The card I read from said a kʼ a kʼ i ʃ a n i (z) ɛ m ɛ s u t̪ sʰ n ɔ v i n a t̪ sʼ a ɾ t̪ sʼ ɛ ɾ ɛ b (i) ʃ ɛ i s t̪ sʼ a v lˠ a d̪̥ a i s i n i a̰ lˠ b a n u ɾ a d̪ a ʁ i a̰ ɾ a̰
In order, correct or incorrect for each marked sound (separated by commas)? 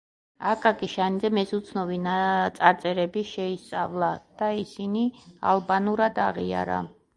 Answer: correct, correct